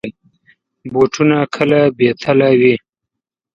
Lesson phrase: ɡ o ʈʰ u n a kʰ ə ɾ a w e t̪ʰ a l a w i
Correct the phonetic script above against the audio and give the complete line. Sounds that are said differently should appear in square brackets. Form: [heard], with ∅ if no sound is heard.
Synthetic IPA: [b] o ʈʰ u n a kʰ ə [l] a [b] e t̪ʰ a l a w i